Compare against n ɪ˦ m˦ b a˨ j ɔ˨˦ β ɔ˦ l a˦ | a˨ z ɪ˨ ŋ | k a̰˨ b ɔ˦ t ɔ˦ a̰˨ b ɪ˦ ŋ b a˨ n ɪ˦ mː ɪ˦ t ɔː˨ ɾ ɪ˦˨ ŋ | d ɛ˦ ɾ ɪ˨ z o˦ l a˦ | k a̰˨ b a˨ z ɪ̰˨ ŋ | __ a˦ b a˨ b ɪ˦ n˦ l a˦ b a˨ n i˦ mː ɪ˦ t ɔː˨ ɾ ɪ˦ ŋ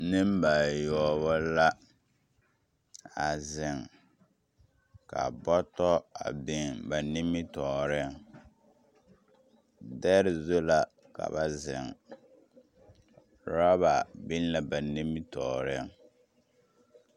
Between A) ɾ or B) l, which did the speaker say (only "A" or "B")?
A